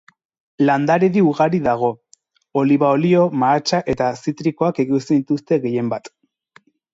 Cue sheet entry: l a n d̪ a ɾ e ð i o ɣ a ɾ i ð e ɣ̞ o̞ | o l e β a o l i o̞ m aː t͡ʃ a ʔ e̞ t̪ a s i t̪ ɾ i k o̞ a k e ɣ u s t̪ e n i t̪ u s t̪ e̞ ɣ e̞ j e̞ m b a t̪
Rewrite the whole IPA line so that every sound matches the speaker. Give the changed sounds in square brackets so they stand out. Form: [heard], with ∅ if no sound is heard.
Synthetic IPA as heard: l a n d̪ a ɾ e ð i [u] ɣ a ɾ i ð [a] ɣ̞ o̞ | o l [i] β a o l i o̞ m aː t͡ʃ a ʔ e̞ t̪ a s i t̪ ɾ i k o̞ a k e ɣ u s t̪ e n i t̪ u s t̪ e̞ ɣ e̞ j e̞ m b a t̪

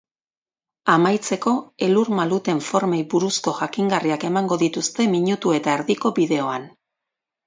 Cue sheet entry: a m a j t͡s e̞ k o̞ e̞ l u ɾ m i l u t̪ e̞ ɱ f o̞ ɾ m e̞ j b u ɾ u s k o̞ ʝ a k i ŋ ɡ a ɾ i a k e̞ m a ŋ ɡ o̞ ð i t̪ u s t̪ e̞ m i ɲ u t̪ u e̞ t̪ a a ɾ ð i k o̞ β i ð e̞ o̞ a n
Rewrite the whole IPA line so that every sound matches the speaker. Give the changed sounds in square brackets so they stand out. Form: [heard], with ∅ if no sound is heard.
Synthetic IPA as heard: a m a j t͡s e̞ k o̞ e̞ l u ɾ m [a] l u t̪ e̞ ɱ f o̞ ɾ m e̞ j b u ɾ u s k o̞ ʝ a k i ŋ ɡ a [r] i a k e̞ m a ŋ ɡ o̞ ð i t̪ u s t̪ e̞ m i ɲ u t̪ u e̞ t̪ a [e] ɾ ð i k o̞ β i ð e̞ o̞ a n

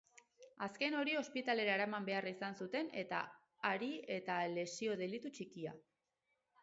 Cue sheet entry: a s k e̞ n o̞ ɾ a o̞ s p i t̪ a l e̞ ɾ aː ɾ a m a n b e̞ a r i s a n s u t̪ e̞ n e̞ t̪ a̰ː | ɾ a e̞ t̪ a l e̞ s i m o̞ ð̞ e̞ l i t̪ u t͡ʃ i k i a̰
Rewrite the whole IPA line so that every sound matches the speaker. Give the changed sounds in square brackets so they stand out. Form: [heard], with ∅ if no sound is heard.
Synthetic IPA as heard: a s k e̞ n o̞ ɾ [i] o̞ s p i t̪ a l e̞ ɾ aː ɾ a m a [m] b e̞ a r i s a n s u t̪ e̞ n e̞ t̪ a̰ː | ɾ [i] e̞ t̪ a l e̞ s i [∅] o̞ ð̞ e̞ l i t̪ u t͡ʃ i k i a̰

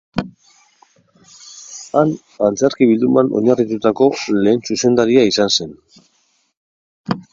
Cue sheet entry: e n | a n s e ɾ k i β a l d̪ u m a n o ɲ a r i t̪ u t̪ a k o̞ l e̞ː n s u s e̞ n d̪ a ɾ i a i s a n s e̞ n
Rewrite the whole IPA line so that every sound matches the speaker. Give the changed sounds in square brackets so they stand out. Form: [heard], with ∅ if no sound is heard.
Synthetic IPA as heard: [a] n | a n [t͡s] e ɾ k i β [i] l d̪ u m a n o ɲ a r i t̪ u t̪ a k o̞ l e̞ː n s u s e̞ n d̪ a ɾ i a i s a n s e̞ n

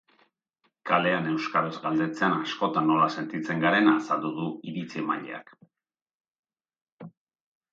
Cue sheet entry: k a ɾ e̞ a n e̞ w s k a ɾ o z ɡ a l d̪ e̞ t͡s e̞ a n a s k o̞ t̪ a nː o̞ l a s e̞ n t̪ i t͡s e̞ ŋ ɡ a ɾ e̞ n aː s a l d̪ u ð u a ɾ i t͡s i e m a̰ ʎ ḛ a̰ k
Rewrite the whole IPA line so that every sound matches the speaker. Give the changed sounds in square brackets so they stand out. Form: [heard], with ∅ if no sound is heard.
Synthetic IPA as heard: k a [l] e̞ a n e̞ w s k a ɾ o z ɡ a l d̪ e̞ t͡s e̞ a n a s k o̞ t̪ a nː o̞ l a s e̞ n t̪ i t͡s e̞ ŋ ɡ a ɾ e̞ n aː s a l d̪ u ð u [i] ɾ i t͡s i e m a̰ ʎ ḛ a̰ k

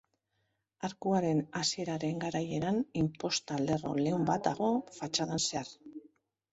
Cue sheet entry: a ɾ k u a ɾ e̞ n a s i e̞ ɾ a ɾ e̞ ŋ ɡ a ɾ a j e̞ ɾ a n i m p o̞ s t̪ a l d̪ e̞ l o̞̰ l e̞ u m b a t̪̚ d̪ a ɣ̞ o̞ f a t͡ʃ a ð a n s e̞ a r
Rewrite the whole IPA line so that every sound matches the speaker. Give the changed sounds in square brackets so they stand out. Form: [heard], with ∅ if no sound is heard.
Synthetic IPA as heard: a ɾ k u a ɾ e̞ n a s i e̞ ɾ a ɾ e̞ ŋ ɡ a ɾ a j e̞ ɾ a n i m p o̞ s t̪ a l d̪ e̞ [r] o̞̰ l e̞ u m b a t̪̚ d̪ a ɣ̞ o̞ f a t͡ʃ a ð a n s e̞ a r

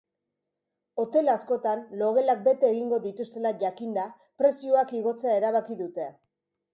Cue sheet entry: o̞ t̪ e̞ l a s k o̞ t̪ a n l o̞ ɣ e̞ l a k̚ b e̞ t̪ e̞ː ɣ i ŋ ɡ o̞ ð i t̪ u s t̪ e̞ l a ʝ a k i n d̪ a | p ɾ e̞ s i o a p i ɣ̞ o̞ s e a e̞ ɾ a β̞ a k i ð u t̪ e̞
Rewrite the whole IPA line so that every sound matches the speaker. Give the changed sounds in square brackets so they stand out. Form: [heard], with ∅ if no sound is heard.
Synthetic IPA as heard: o̞ t̪ e̞ l a s k o̞ t̪ a n l o̞ ɣ e̞ l a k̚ b e̞ t̪ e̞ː ɣ i ŋ ɡ o̞ ð i t̪ u s t̪ e̞ l a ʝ a k i n d̪ a | p ɾ e̞ s i o a [k] i ɣ̞ o̞ [t͡s] e a e̞ ɾ a β̞ a k i ð u t̪ e̞

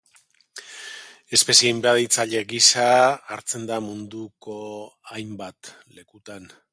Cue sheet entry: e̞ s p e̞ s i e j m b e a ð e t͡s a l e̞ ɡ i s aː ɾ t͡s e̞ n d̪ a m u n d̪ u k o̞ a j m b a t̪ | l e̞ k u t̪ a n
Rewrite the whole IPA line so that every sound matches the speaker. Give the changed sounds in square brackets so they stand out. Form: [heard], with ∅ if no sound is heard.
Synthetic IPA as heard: e̞ s p e̞ s i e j m b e a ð [i] t͡s a [ʎ] e̞ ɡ i s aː ɾ t͡s e̞ n d̪ a m u n d̪ u k o̞ a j m b a t̪ | l e̞ k u t̪ a n

